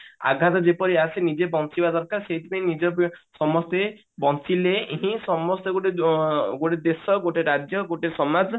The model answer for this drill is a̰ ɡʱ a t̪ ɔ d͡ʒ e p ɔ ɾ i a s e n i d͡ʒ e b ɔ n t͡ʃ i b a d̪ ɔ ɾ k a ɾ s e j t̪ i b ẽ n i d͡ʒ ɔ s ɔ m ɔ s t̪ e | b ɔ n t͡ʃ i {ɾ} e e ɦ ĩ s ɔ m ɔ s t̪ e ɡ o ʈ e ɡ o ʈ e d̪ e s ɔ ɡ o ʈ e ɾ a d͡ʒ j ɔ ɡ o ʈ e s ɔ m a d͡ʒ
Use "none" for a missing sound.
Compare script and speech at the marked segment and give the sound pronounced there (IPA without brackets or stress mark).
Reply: l